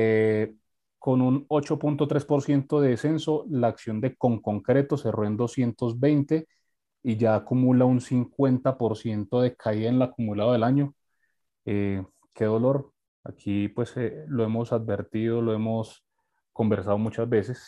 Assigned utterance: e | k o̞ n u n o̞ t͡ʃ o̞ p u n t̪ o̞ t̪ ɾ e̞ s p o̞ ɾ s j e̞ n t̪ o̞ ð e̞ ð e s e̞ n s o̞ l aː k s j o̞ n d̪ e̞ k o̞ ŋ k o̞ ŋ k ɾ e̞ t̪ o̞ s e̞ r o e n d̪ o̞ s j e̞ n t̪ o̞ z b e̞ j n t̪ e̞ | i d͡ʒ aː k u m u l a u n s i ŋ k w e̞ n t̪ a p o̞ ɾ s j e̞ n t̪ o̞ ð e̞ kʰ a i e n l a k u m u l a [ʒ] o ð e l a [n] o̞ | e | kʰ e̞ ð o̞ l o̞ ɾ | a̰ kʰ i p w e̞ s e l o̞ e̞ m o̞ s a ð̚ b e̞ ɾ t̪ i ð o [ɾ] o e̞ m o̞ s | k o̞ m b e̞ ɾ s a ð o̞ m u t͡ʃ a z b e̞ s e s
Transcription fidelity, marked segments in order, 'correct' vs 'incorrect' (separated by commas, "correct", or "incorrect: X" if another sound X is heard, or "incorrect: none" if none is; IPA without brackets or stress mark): incorrect: ð, incorrect: ɲ, incorrect: l